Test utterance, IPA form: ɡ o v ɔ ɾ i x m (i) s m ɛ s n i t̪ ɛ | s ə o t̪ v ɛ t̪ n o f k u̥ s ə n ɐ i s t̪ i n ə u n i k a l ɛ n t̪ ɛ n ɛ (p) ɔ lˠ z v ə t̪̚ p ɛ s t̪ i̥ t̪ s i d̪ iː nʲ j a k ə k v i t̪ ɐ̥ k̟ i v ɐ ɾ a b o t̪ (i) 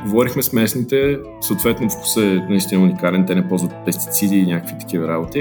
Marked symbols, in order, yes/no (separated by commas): no, yes, yes